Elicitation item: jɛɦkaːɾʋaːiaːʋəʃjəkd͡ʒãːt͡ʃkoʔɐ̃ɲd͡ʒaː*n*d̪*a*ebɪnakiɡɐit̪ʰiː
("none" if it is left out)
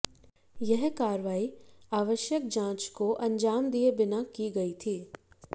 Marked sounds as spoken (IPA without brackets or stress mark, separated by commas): m, i